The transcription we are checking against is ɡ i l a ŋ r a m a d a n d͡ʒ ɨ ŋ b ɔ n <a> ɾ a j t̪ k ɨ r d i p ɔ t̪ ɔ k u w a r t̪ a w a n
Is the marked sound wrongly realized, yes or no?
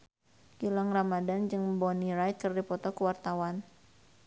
yes